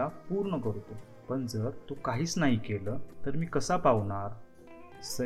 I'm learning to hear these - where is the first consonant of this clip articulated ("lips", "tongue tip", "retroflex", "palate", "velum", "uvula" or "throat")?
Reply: lips